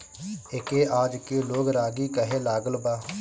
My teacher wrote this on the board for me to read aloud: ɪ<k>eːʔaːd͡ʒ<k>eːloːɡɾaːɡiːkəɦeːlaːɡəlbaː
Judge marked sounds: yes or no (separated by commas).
yes, yes